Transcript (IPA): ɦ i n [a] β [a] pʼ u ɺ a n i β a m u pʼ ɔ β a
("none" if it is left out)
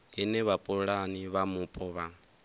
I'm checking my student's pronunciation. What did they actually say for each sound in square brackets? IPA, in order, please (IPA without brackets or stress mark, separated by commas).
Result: ɛ, a